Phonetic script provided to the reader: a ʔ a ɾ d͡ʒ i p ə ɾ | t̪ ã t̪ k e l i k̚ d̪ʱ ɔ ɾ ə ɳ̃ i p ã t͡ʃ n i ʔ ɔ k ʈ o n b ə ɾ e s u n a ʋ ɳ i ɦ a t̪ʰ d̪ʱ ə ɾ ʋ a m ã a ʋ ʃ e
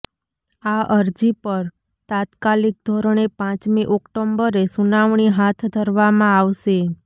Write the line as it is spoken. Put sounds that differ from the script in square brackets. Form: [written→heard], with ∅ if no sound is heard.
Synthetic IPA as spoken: a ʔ [a→ə] ɾ d͡ʒ i p ə ɾ | t̪ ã t̪ k [e→a] l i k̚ d̪ʱ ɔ ɾ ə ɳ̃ [i→e] p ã t͡ʃ [n→m] i ʔ ɔ k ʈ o [n→m] b ə ɾ e s u n a ʋ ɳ i ɦ a t̪ʰ d̪ʱ ə ɾ ʋ a m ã a ʋ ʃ e